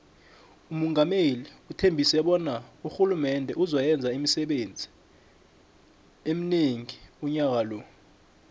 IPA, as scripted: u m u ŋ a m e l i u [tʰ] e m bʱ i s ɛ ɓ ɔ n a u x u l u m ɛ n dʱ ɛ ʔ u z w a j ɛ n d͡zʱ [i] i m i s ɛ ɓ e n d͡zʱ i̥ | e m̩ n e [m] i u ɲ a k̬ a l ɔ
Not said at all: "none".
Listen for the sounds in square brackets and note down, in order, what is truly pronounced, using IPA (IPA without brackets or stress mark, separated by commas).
tʰ, a, ŋ